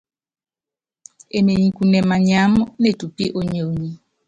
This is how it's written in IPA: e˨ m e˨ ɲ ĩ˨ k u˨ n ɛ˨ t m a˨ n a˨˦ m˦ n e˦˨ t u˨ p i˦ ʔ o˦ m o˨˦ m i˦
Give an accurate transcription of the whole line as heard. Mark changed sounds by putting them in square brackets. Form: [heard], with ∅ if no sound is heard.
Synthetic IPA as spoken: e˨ m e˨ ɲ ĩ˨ k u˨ n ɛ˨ [∅] m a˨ [ɲ] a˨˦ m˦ n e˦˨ t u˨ p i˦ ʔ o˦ [ɲ] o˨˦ [ɲ] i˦